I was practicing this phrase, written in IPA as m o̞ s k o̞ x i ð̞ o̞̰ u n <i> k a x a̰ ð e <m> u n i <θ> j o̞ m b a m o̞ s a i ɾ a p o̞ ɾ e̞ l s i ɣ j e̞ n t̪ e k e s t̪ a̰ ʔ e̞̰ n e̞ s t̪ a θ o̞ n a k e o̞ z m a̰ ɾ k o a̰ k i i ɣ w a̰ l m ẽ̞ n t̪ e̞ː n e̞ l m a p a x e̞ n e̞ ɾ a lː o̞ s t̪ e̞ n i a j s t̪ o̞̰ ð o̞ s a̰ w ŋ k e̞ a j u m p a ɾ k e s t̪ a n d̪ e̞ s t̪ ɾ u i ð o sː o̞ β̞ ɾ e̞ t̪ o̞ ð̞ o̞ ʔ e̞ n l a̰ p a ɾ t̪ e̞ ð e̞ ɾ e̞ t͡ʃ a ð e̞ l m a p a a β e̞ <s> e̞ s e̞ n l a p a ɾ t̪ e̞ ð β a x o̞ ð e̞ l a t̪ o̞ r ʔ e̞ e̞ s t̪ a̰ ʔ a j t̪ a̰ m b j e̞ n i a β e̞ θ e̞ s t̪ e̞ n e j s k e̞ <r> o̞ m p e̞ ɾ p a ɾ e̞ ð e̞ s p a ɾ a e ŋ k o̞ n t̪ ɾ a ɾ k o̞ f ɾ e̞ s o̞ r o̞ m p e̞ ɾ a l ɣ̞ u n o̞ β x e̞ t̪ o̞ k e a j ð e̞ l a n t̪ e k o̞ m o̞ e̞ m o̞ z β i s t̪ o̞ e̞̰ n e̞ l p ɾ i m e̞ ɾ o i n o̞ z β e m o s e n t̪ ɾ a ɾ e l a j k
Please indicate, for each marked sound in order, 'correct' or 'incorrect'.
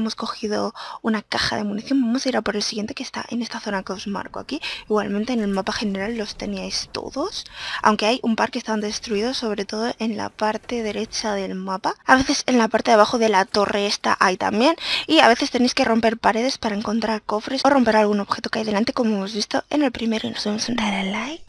incorrect, correct, correct, incorrect, correct

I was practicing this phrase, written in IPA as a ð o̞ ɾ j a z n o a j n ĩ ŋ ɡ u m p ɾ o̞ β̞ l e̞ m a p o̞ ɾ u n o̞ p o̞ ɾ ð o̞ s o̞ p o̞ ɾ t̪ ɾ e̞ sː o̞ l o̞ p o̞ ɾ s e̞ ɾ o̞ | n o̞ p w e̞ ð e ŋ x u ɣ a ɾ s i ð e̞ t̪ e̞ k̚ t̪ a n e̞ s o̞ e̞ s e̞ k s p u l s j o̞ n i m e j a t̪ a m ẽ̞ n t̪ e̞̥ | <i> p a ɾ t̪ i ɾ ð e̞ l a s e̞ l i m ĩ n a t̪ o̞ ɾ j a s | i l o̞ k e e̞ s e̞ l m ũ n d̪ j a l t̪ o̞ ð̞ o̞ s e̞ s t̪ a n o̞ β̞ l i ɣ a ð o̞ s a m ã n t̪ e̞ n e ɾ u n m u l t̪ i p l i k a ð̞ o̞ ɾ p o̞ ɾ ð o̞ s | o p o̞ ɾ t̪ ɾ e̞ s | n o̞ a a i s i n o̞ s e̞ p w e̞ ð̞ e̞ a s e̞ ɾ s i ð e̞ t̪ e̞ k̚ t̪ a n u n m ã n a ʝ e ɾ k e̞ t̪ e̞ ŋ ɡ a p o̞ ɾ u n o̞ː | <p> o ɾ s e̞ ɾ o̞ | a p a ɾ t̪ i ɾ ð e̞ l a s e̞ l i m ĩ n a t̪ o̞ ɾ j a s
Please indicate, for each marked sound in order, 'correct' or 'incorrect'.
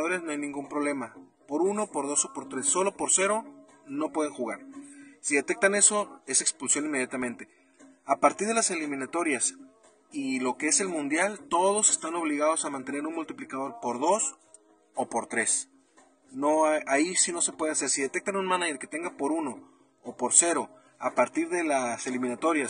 incorrect, correct

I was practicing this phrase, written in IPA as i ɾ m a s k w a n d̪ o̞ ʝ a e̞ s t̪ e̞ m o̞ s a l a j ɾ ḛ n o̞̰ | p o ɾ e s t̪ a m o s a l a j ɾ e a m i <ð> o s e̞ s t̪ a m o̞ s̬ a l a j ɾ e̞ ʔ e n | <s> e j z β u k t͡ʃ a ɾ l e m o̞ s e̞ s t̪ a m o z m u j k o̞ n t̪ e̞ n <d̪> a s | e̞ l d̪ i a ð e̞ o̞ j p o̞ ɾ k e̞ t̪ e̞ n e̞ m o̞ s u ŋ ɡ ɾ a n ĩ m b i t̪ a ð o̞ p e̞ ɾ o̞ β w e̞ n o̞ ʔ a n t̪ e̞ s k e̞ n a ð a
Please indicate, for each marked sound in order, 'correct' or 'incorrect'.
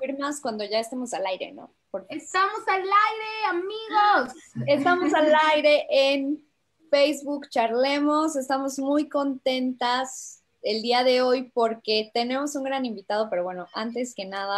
incorrect, incorrect, incorrect

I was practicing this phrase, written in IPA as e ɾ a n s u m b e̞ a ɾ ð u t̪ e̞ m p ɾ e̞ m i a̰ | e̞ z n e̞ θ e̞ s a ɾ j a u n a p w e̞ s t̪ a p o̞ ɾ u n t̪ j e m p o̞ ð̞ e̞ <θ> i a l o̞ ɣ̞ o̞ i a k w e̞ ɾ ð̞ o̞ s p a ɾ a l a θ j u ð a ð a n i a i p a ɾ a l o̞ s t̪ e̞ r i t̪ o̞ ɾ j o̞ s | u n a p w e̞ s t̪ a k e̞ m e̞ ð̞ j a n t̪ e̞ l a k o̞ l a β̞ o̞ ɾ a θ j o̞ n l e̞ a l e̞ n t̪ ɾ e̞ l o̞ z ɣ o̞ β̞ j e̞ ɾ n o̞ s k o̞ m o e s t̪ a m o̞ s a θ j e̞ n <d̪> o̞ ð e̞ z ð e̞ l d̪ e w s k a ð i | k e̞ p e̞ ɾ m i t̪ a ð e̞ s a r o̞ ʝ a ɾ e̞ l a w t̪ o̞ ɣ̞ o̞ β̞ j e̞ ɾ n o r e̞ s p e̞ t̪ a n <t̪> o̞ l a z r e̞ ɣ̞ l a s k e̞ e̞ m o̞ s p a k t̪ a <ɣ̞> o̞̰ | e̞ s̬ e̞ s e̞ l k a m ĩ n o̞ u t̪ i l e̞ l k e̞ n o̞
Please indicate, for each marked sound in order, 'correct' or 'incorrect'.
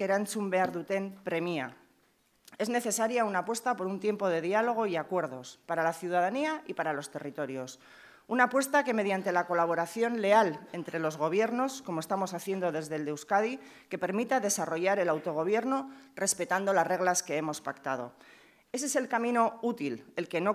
incorrect, correct, incorrect, incorrect

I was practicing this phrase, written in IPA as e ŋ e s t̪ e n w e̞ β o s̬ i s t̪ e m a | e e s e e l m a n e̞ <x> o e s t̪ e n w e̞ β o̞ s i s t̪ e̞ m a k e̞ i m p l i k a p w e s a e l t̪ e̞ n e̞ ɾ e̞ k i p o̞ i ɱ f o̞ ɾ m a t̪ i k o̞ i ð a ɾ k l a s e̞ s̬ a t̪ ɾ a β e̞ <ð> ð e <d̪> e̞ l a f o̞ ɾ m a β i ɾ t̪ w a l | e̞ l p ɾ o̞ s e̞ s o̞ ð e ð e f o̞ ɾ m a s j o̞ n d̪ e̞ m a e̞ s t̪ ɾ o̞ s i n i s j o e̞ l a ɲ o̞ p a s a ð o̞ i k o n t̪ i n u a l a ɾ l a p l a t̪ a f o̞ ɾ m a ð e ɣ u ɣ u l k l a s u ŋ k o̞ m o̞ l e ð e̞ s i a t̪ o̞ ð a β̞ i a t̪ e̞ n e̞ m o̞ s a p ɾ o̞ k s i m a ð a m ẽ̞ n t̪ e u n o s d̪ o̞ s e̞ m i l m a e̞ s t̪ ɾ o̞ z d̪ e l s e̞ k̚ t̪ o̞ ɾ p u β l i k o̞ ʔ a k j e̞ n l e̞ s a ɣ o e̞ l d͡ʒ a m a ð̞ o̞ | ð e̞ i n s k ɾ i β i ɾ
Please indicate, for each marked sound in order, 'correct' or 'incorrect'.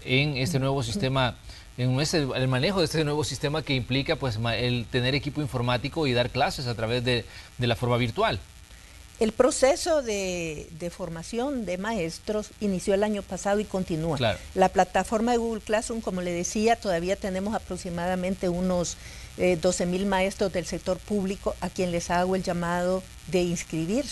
correct, incorrect, correct

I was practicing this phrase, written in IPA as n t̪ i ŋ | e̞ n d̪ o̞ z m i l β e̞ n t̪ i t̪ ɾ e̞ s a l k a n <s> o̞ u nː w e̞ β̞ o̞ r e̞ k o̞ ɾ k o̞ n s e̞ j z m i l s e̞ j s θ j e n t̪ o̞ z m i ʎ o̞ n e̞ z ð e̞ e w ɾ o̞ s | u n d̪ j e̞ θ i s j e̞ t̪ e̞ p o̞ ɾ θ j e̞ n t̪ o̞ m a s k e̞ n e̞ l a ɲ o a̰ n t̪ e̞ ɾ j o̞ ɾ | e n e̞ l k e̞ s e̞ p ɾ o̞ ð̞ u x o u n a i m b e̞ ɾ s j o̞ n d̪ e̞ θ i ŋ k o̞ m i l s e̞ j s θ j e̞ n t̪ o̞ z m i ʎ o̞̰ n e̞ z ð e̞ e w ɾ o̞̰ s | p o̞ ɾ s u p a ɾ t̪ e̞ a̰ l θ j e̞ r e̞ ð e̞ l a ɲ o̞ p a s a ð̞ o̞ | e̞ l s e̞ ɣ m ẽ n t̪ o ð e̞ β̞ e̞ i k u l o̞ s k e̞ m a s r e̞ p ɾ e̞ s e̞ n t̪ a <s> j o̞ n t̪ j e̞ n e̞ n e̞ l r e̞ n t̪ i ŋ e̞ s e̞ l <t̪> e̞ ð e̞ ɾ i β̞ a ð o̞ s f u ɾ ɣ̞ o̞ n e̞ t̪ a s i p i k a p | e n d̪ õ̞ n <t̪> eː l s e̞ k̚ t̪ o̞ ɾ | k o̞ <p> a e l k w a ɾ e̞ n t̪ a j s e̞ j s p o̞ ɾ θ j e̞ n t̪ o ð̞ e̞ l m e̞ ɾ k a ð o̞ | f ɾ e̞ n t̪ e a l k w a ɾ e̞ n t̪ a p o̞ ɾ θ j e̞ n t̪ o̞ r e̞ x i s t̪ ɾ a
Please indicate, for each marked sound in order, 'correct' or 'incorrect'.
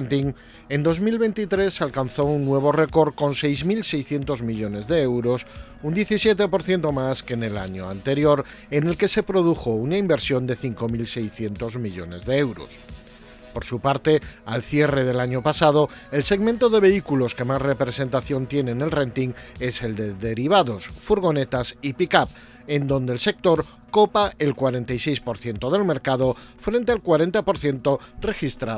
incorrect, incorrect, incorrect, incorrect, correct

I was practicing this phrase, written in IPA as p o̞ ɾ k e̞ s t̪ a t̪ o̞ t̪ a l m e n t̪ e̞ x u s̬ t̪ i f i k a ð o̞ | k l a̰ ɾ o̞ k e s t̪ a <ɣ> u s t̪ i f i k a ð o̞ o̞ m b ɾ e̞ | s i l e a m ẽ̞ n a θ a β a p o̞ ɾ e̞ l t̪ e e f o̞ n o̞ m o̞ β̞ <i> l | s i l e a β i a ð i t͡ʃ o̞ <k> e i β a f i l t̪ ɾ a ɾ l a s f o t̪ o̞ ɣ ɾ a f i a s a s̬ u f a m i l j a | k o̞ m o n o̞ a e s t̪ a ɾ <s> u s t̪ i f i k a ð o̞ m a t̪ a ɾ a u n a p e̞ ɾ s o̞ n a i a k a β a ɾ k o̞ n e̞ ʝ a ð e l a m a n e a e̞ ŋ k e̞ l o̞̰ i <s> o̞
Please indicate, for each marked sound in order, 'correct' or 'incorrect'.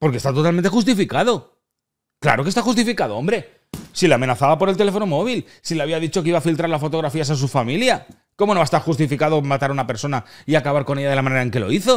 incorrect, correct, correct, incorrect, incorrect

